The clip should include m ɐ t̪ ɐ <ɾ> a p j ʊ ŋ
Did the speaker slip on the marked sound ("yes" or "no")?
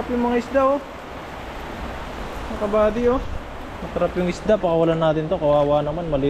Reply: no